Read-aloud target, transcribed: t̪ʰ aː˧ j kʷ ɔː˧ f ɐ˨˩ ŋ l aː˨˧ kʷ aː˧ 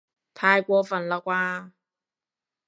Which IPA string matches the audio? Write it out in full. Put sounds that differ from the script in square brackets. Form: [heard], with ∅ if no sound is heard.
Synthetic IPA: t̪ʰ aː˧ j kʷ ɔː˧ f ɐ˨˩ [n] l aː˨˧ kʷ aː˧